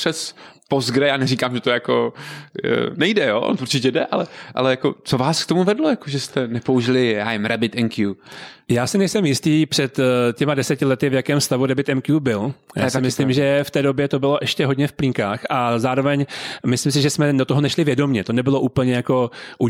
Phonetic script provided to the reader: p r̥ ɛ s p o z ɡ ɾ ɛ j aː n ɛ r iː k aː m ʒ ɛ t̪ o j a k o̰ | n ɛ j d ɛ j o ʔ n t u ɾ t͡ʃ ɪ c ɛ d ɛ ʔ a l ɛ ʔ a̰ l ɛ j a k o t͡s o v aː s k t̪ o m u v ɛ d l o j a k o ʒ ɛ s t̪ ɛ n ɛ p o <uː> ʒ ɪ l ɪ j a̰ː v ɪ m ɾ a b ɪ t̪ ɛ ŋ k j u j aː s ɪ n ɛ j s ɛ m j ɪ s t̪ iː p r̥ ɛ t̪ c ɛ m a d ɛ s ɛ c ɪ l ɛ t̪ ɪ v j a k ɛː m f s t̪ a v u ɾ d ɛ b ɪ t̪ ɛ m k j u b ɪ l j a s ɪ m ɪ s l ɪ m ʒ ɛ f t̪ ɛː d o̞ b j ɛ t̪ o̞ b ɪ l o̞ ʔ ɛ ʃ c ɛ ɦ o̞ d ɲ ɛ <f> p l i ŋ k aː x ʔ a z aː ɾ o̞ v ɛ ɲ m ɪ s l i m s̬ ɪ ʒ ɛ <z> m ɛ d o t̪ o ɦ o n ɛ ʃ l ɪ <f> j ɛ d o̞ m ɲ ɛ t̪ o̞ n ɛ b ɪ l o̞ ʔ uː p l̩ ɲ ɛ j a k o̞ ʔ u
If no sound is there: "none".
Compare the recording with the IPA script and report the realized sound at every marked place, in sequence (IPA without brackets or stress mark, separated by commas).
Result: u, f, s, v